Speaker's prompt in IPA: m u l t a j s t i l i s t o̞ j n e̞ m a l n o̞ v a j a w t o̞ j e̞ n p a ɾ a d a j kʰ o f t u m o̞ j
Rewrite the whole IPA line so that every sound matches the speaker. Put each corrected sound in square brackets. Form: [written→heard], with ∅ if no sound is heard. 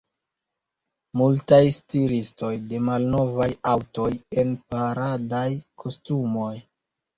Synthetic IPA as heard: m u l t a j s t i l i s t o̞ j [n→d] e̞ m a l n o̞ v a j a w t o̞ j e̞ n p a ɾ a d a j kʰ o [f→s] t u m o̞ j